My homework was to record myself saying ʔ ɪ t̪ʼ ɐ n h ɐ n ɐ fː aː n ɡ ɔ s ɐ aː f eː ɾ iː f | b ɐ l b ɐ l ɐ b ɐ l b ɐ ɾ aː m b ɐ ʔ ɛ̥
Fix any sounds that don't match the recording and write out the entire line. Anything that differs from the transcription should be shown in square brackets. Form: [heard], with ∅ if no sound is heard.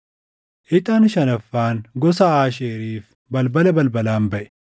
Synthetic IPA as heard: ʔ ɪ t̪ʼ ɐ n [ʃ] ɐ n ɐ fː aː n ɡ ɔ s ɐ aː [ʃ] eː ɾ iː f | b ɐ l b ɐ l ɐ b ɐ l b ɐ [l] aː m b ɐ ʔ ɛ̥

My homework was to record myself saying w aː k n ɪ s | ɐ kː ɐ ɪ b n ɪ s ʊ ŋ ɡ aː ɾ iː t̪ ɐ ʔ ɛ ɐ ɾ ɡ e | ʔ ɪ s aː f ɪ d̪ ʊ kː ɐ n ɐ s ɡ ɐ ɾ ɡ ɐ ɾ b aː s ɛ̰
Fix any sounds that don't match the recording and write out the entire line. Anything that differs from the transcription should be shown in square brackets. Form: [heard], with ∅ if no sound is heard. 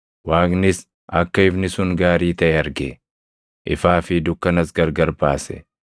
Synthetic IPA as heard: w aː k n ɪ s | ɐ kː ɐ ɪ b n ɪ s ʊ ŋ ɡ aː ɾ iː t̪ ɐ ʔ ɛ ɐ ɾ ɡ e | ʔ ɪ [f] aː f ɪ d̪ ʊ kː ɐ n ɐ s ɡ ɐ ɾ ɡ ɐ ɾ b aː s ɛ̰

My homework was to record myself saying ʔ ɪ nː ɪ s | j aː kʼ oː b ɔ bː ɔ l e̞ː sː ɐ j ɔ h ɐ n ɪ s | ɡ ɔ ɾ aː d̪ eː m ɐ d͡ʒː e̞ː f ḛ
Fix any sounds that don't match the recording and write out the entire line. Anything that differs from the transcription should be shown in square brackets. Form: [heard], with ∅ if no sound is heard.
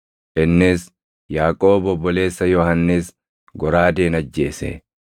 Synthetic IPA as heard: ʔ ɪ nː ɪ s | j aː kʼ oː b ɔ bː ɔ l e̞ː sː ɐ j ɔ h ɐ [nː] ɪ s | ɡ ɔ ɾ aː d̪ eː [n] ɐ d͡ʒː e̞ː [s] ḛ

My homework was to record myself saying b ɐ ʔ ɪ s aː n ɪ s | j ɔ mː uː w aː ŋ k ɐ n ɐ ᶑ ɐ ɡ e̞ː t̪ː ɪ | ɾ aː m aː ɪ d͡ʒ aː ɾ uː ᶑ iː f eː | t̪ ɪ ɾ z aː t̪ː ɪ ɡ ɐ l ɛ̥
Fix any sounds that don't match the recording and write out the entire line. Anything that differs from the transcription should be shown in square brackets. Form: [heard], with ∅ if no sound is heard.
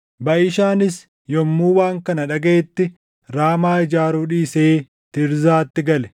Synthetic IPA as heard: b ɐ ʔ ɪ [ʃ] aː n ɪ s | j ɔ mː uː w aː ŋ k ɐ n ɐ ᶑ ɐ ɡ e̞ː t̪ː ɪ | ɾ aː m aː ɪ d͡ʒ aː ɾ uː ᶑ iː [s] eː | t̪ ɪ ɾ z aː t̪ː ɪ ɡ ɐ l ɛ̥

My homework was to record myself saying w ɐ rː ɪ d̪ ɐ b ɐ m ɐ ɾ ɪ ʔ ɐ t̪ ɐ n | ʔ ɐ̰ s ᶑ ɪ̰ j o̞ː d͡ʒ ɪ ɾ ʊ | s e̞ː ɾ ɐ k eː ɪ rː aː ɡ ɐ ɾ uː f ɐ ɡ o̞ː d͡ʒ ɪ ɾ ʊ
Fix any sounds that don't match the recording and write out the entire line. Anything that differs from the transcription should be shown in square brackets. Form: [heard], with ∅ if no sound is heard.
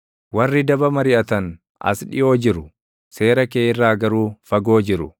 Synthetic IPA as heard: w ɐ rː ɪ d̪ ɐ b ɐ m ɐ ɾ ɪ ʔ ɐ t̪ ɐ n | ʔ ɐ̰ s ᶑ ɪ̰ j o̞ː d͡ʒ ɪ ɾ ʊ | s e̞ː ɾ ɐ k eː ɪ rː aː ɡ ɐ ɾ uː f ɐ ɡ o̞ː d͡ʒ ɪ ɾ ʊ

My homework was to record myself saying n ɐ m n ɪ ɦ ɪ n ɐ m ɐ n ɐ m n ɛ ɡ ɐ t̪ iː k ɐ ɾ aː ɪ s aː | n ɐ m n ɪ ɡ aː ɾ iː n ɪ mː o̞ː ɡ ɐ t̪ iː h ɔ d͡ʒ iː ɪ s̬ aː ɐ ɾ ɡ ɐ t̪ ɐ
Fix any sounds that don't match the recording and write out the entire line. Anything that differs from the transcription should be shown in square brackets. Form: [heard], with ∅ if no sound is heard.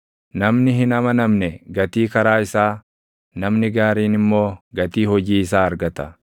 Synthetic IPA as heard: n ɐ m n ɪ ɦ ɪ n ɐ m ɐ n ɐ m n ɛ ɡ ɐ t̪ iː k ɐ ɾ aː ɪ s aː | n ɐ m n ɪ ɡ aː ɾ iː n ɪ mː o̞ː ɡ ɐ t̪ iː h ɔ d͡ʒ iː ɪ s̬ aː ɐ ɾ ɡ ɐ t̪ ɐ

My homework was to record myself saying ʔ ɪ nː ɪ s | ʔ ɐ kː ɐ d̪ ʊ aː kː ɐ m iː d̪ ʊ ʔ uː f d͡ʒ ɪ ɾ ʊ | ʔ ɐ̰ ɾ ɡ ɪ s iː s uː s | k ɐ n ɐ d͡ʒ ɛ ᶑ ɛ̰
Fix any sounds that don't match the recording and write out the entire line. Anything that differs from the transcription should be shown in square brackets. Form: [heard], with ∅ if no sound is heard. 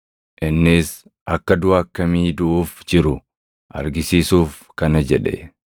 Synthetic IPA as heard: ʔ ɪ nː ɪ s | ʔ ɐ kː ɐ d̪ ʊ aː kː ɐ m iː d̪ ʊ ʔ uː f d͡ʒ ɪ ɾ ʊ | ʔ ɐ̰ ɾ ɡ ɪ s iː s uː [f] | k ɐ n ɐ d͡ʒ ɛ ᶑ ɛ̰

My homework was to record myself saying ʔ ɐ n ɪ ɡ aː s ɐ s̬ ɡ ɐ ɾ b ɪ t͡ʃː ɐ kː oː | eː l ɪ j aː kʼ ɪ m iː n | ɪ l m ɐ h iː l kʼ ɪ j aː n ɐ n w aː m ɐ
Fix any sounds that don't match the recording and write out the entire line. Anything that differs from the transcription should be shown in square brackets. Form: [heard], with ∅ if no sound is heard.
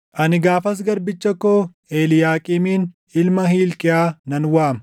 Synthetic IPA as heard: ʔ ɐ n ɪ ɡ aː [f] ɐ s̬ ɡ ɐ ɾ b ɪ t͡ʃː ɐ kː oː | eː l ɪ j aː kʼ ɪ m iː n | ɪ l m ɐ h iː l kʼ ɪ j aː n ɐ n w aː m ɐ

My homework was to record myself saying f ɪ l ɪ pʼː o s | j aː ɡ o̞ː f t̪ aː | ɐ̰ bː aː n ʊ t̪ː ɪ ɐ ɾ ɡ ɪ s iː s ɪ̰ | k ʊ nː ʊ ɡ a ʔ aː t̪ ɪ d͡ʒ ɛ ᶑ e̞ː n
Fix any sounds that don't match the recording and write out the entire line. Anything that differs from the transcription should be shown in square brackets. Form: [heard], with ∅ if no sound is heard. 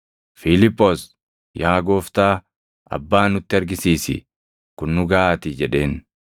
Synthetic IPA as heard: f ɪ l ɪ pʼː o s | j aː ɡ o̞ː f t̪ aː | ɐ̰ bː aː n ʊ t̪ː ɪ ɐ ɾ ɡ ɪ s iː s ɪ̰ | k ʊ nː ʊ ɡ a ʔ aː t̪ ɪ d͡ʒ ɛ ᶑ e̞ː n

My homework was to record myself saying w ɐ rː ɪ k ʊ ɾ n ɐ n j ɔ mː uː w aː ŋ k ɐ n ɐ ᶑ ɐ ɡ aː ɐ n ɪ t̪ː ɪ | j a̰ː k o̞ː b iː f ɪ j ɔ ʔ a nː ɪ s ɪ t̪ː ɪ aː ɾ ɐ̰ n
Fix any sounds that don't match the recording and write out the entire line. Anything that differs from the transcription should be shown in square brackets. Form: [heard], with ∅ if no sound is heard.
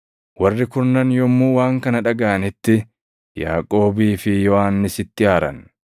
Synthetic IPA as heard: w ɐ rː ɪ k ʊ ɾ n ɐ n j ɔ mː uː w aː ŋ k ɐ n ɐ ᶑ ɐ ɡ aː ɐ n ɪ t̪ː ɪ | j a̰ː [kʼ] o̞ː b iː f ɪ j ɔ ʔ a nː ɪ s ɪ t̪ː ɪ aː ɾ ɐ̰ n

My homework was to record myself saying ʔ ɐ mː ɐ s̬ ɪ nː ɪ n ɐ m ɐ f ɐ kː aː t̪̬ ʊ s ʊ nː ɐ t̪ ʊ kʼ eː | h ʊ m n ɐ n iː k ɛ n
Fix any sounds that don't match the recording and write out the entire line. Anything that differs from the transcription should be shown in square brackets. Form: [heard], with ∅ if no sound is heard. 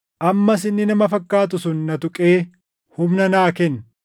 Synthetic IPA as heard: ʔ ɐ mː ɐ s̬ ɪ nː ɪ n ɐ m ɐ f ɐ kː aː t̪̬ ʊ s ʊ nː ɐ t̪ ʊ kʼ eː | h ʊ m n ɐ n [aː] k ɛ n

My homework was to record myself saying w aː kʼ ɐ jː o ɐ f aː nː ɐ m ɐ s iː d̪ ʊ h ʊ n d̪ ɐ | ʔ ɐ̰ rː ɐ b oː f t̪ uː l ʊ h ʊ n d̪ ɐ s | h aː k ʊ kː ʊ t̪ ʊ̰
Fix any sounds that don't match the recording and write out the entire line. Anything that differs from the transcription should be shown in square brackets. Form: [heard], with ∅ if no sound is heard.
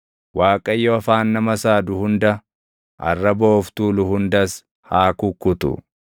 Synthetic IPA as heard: w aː kʼ ɐ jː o ɐ f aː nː ɐ m ɐ s [aː] d̪ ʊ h ʊ n d̪ ɐ | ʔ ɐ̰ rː ɐ b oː f t̪ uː l ʊ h ʊ n d̪ ɐ s | h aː k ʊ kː ʊ t̪ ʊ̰

